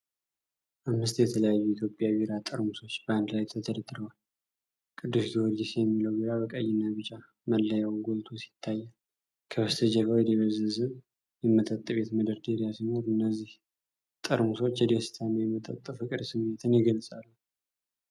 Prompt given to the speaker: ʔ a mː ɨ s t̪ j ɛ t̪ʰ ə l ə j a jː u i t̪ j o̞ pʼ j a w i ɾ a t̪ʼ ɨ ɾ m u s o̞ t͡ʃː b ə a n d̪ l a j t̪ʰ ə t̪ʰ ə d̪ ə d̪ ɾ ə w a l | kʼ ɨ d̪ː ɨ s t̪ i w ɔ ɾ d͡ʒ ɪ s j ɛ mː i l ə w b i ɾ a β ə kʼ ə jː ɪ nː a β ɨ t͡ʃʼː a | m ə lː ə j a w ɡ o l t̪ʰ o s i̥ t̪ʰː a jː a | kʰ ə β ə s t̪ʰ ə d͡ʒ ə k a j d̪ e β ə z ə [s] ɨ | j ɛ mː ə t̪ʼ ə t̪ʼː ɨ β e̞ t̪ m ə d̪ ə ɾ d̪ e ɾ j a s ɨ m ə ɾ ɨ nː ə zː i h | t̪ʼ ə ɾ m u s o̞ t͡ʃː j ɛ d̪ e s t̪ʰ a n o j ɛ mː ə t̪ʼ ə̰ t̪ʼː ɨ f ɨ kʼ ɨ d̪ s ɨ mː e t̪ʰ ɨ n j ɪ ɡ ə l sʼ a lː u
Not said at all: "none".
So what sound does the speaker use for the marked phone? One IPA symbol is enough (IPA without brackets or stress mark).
z